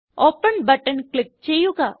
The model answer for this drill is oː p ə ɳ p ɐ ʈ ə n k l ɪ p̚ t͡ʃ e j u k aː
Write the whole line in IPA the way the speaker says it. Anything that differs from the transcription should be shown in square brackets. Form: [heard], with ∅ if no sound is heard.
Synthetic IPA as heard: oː p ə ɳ [b] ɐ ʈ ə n k l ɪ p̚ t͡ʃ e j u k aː

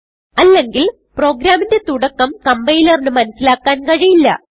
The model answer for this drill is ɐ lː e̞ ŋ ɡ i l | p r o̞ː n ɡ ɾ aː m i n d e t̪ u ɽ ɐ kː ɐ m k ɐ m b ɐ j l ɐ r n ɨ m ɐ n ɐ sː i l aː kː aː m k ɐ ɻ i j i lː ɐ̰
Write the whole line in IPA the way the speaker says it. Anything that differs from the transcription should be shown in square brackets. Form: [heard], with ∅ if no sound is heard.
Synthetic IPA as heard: ɐ lː e̞ ŋ ɡ i l | p r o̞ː [∅] ɡ ɾ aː m i n d e t̪ u ɽ ɐ kː ɐ m k ɐ m b ɐ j l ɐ r n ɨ m ɐ n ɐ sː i l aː kː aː [n] k ɐ ɻ i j i lː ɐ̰

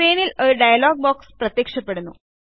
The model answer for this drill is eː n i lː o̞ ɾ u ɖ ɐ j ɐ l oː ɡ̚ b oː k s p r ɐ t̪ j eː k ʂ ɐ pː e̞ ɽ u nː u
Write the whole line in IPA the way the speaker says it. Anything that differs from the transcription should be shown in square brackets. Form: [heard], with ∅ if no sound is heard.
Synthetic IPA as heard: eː n i [l] o̞ ɾ u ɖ ɐ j ɐ l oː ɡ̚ b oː k s p r ɐ t̪ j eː k ʂ ɐ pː e̞ ɽ u nː u

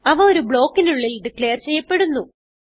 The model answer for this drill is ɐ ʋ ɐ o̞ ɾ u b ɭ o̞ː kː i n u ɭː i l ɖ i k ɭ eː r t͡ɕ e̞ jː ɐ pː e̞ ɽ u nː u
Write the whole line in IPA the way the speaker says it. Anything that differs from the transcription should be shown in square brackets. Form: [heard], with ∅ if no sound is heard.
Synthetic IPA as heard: ɐ ʋ ɐ o̞ ɾ u b ɭ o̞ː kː i n u ɭː i l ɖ i k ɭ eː r t͡ɕ e̞ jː ɐ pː e̞ ɽ u nː u

